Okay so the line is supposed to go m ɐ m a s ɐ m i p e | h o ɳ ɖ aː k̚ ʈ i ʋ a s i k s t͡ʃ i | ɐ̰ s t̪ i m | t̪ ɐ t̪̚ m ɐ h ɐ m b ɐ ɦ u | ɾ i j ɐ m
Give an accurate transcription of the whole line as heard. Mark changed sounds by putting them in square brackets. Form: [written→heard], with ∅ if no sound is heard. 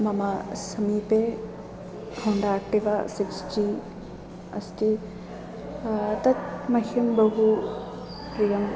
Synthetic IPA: m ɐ m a s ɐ m i p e | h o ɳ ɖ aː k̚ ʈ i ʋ a s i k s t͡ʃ i | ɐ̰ s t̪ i [m→∅] | t̪ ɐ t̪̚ m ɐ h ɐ m b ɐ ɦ u | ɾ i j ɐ m